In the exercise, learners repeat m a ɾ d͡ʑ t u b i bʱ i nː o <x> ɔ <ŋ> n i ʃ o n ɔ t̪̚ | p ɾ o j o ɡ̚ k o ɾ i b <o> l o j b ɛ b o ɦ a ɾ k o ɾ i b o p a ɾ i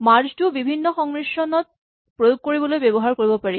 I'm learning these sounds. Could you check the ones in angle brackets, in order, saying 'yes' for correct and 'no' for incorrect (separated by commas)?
yes, yes, yes